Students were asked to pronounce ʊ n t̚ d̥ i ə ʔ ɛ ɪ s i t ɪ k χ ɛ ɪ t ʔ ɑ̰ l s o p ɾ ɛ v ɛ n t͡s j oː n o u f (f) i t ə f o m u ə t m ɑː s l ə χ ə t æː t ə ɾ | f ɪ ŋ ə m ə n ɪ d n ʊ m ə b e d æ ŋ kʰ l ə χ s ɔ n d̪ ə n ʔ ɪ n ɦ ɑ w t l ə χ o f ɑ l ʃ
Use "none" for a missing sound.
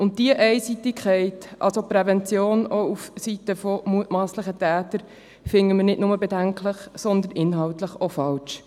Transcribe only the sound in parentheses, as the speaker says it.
s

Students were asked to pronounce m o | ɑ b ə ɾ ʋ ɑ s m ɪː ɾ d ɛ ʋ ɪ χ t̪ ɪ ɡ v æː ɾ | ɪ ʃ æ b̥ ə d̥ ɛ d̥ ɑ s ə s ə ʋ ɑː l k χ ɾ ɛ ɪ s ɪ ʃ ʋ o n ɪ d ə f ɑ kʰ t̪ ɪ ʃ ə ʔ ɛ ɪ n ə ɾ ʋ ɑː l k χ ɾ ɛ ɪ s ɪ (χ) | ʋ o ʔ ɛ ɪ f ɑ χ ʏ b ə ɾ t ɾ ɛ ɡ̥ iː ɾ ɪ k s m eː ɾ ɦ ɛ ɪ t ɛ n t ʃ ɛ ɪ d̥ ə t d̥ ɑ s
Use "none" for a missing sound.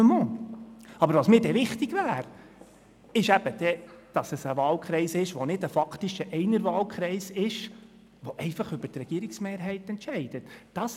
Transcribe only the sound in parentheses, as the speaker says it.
ʃ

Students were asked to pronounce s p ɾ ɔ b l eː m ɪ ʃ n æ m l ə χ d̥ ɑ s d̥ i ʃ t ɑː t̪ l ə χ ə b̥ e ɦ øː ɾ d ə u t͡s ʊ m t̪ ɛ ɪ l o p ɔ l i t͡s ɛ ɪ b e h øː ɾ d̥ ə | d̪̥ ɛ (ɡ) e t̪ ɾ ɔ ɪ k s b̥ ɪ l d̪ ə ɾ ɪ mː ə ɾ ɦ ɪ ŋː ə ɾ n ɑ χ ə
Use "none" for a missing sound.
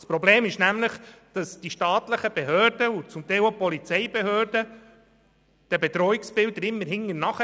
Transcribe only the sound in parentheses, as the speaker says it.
b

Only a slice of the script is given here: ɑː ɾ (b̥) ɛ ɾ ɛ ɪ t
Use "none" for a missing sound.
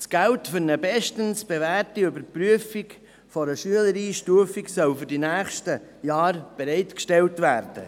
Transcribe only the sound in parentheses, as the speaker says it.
b̥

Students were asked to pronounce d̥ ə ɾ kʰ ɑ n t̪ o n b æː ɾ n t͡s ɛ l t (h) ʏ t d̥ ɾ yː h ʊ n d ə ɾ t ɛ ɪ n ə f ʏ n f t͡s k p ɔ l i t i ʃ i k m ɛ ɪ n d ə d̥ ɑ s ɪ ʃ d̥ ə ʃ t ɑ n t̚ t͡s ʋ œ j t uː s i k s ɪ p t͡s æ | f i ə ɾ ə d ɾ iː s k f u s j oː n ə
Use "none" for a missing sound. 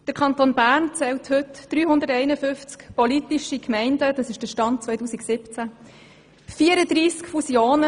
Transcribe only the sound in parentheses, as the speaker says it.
h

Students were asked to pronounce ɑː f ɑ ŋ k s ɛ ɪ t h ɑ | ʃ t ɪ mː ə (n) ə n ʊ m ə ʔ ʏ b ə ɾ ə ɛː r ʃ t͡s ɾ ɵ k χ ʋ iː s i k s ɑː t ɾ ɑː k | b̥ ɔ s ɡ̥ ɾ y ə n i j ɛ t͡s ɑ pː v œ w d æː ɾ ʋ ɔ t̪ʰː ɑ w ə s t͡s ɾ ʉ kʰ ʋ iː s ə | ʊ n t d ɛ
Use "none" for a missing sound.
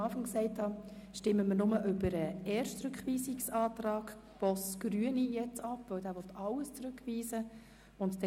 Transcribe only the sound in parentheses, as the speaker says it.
m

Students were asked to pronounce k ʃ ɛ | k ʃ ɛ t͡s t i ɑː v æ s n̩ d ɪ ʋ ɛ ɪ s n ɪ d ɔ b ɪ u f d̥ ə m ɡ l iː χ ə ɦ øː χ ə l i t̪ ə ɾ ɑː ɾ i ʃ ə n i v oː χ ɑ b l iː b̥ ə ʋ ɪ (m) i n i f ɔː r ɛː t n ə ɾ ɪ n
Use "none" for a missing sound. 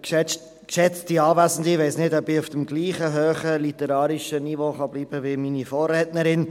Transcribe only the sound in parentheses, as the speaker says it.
m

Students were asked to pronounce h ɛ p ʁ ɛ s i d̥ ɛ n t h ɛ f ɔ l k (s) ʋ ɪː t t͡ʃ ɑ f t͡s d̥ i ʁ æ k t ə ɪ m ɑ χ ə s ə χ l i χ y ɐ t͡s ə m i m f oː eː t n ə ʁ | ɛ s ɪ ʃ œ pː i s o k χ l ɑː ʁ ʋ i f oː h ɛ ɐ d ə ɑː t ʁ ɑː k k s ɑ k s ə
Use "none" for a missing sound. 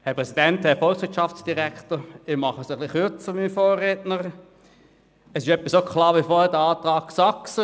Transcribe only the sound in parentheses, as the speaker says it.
s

